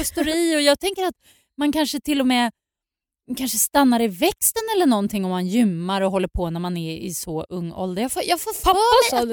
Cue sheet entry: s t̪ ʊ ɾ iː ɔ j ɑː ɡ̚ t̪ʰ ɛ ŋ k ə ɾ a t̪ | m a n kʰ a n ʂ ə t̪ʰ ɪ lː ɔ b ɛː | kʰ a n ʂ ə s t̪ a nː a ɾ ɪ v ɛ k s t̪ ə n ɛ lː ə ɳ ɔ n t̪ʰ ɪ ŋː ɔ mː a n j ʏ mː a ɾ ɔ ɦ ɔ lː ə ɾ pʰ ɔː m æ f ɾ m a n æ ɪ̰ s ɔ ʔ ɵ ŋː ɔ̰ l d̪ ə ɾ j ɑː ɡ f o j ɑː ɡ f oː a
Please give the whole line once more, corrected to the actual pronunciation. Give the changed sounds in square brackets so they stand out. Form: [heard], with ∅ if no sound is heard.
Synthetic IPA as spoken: s t̪ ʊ ɾ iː ɔ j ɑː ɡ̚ t̪ʰ ɛ ŋ k ə ɾ a t̪ | m a n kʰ a n ʂ ə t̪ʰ ɪ lː ɔ [m] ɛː | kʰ a n ʂ ə s t̪ a nː a ɾ ɪ v ɛ k s t̪ ə n ɛ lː ə ɳ ɔ n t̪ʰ ɪ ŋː ɔ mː a n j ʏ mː a ɾ ɔ ɦ ɔ lː ə ɾ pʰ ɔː [n] æ [∅] ɾ m a n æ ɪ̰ s ɔ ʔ ɵ ŋː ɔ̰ l d̪ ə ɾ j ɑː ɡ f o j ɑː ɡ f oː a